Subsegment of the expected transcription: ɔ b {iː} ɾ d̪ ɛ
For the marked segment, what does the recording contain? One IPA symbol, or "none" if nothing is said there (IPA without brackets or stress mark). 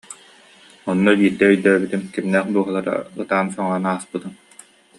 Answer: iː